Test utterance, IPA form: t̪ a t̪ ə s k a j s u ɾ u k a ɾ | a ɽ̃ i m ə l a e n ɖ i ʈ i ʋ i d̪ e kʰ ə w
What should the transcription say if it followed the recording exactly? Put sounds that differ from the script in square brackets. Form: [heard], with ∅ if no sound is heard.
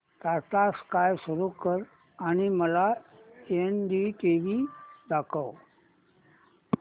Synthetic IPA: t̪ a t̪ [a] s k a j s u ɾ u k [ə] ɾ | a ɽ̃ i m ə l a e n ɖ i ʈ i ʋ i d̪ [a] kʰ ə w